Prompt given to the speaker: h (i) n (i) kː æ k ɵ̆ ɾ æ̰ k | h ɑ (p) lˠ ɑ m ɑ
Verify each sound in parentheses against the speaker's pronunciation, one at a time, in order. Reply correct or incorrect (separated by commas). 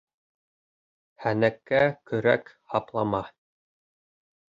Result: incorrect, incorrect, correct